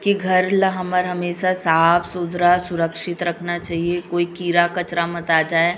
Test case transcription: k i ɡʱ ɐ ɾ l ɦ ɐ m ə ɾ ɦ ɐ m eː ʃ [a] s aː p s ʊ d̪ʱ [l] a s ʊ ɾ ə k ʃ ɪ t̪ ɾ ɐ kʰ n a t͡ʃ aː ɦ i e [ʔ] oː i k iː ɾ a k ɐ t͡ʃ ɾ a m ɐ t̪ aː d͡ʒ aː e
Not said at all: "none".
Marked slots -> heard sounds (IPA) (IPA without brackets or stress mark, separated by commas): a, ɾ, k